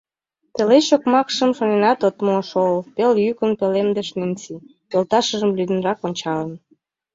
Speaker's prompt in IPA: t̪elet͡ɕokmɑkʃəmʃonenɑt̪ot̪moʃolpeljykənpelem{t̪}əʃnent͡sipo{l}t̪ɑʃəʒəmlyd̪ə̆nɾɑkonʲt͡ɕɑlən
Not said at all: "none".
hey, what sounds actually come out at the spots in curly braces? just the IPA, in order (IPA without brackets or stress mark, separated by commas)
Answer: d̪, l